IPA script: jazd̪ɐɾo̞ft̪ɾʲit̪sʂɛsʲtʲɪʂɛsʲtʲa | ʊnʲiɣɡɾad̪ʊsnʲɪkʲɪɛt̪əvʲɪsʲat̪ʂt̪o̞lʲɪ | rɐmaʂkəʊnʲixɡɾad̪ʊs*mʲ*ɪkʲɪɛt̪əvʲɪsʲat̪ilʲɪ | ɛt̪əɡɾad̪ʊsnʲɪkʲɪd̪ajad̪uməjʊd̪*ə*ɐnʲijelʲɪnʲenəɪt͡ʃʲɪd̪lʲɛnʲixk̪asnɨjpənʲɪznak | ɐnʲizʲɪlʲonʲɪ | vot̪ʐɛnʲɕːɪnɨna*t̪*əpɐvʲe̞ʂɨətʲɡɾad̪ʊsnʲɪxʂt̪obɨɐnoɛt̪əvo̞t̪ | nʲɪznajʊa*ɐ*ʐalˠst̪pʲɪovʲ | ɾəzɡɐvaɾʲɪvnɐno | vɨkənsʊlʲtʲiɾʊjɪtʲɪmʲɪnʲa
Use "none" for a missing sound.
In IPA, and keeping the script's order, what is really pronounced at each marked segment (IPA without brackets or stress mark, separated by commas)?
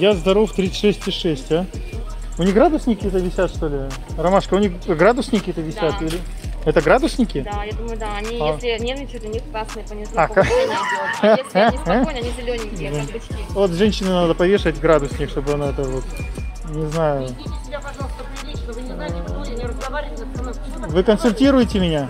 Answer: nʲ, a, d̪, ɐ